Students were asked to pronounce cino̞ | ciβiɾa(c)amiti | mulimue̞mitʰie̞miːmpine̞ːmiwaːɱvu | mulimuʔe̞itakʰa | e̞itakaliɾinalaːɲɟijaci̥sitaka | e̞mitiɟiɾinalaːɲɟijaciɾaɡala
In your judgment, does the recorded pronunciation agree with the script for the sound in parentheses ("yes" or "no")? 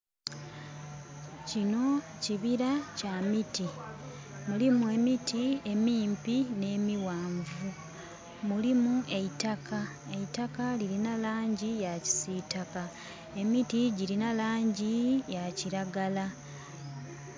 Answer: yes